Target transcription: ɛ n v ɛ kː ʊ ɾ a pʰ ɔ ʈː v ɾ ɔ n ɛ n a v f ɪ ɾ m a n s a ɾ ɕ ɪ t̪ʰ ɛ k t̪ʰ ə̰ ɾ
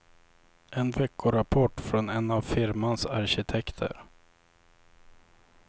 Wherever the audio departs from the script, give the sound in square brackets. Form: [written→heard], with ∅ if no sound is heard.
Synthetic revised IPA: ɛ n v ɛ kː ʊ ɾ a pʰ ɔ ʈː [v→f] ɾ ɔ n ɛ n a v f ɪ ɾ m a n s a ɾ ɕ ɪ t̪ʰ ɛ k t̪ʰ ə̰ ɾ